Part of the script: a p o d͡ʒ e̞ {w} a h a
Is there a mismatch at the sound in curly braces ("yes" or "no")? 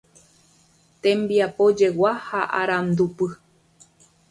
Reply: no